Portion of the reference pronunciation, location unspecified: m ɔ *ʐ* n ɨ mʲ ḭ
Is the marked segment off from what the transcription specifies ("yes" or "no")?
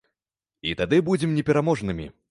no